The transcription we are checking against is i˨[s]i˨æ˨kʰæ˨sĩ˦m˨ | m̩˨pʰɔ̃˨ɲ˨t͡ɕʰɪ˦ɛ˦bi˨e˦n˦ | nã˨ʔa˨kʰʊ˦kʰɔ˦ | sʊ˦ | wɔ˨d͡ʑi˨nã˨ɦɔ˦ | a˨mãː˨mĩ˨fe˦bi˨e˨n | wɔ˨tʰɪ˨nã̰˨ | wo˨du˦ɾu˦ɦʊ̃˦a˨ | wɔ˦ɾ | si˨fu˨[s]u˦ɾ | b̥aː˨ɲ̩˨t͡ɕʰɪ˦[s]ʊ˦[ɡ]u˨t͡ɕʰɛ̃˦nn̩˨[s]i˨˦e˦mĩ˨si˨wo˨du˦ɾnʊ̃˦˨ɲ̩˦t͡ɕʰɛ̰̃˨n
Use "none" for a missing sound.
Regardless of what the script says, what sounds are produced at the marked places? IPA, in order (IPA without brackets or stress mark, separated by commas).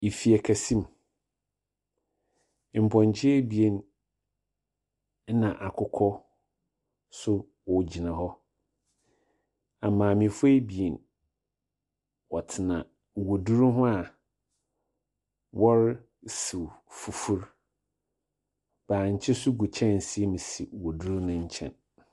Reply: f, f, s, ɡ, s